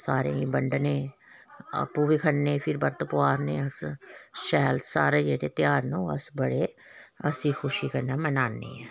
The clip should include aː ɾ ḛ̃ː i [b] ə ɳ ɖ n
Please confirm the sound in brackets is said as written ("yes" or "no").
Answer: yes